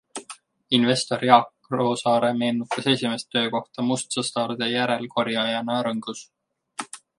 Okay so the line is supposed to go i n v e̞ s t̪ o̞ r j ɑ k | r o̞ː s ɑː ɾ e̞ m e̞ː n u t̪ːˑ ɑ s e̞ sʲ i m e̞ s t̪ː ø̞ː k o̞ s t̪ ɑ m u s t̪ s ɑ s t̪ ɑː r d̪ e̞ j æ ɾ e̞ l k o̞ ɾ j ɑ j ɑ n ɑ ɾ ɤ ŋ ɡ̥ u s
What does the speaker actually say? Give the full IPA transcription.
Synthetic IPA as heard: i n v e̞ s t̪ o̞ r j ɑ k | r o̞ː s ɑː ɾ e̞ m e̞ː n u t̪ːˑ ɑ s e̞ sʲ i m e̞ s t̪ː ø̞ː k o̞ h t̪ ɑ m u s t̪ s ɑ s t̪ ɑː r d̪ e̞ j æ ɾ e̞ l k o̞ ɾ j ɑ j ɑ n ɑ ɾ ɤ ŋ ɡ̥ u s